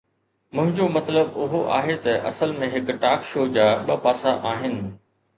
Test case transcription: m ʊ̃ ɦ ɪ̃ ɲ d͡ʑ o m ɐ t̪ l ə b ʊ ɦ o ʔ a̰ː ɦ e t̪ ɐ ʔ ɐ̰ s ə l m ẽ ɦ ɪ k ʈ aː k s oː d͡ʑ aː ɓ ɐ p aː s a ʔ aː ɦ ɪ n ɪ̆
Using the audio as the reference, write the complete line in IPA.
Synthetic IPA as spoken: m ʊ̃ ɦ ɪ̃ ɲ d͡ʑ o m ɐ t̪ l ə b ʊ ɦ o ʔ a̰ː ɦ e t̪ ɐ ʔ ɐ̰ s ə l m ẽ ɦ ɪ k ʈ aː k ʃ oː d͡ʑ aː ɓ ɐ p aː s a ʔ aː ɦ ɪ n ɪ̆

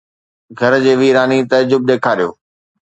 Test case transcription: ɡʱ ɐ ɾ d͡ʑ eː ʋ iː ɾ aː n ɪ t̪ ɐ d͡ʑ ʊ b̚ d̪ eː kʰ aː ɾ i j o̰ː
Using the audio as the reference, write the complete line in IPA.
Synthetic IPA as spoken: ɡʱ ɐ ɾ d͡ʑ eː ʋ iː ɾ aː n i t̪ ɐ d͡ʑ ʊ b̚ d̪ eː kʰ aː ɾ i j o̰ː

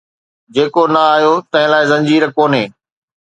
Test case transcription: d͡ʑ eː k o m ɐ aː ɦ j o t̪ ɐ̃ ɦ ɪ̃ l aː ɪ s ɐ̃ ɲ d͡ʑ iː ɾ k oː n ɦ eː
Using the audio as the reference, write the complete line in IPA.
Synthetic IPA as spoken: d͡ʑ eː k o n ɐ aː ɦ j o t̪ ɐ̃ ɦ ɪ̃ l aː ɪ z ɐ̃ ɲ d͡ʑ iː ɾ k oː n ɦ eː

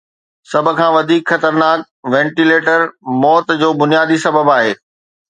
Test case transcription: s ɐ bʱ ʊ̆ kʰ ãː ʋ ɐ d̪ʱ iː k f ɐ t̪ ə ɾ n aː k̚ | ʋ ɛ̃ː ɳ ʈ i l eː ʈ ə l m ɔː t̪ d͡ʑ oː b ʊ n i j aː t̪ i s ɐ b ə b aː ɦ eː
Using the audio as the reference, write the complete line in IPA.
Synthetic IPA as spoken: s ɐ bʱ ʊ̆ kʰ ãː ʋ ɐ d̪ʱ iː k x ɐ t̪ ə ɾ n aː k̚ | ʋ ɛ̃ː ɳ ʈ i l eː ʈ ə ɾ m ɔː t̪ d͡ʑ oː b ʊ n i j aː d̪ i s ɐ b ə b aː ɦ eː

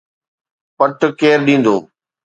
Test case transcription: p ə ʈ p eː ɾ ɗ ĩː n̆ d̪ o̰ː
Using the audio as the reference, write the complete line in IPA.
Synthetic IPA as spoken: p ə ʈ k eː ɾ ɗ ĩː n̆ d̪ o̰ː

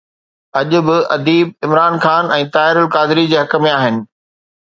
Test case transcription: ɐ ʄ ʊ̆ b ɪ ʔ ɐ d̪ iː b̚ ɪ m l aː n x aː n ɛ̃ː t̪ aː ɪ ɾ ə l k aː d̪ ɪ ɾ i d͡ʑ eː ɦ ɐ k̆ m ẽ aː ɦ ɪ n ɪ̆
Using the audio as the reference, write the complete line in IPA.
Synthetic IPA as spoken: ɐ ʄ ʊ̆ b ɪ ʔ ɐ d̪ iː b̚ ɪ m ɾ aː n x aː n ɛ̃ː t̪ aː ɪ ɾ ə l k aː d̪ ɪ ɾ i d͡ʑ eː ɦ ɐ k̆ m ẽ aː ɦ ɪ n ɪ̆

